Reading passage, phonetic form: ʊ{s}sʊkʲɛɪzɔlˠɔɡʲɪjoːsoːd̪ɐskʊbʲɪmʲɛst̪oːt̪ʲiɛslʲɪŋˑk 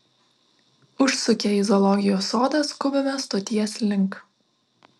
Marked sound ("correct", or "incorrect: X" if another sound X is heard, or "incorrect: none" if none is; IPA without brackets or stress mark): incorrect: ʃ